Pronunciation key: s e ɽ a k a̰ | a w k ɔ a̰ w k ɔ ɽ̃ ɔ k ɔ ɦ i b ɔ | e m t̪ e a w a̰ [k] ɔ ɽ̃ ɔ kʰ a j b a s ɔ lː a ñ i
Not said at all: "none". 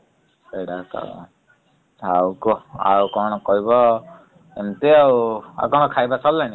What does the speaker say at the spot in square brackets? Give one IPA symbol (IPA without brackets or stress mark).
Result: k